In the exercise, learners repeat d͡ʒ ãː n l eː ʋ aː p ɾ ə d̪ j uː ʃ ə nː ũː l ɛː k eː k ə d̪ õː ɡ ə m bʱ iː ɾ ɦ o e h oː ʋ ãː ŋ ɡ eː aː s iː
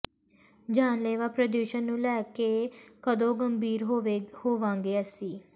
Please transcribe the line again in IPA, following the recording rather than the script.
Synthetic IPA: d͡ʒ aː n l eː ʋ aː p ɾ ə d̪ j uː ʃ ə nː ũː l ɛː k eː k ə d̪ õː ɡ ə m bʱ iː ɾ ɦ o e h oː ʋ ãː ŋ ɡ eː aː s iː